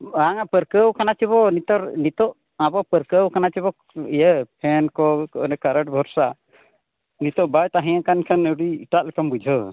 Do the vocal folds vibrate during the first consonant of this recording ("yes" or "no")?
yes